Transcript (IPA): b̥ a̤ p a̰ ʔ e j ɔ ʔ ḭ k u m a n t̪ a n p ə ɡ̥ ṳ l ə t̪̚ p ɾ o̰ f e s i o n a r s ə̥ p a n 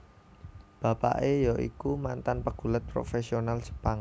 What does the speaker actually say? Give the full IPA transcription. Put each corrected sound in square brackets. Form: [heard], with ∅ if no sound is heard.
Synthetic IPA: b̥ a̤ p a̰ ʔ e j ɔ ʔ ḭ k u m a n t̪ a n p ə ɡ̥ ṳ l ə t̪̚ p ɾ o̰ f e s i o n a [l] s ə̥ p a [ŋ]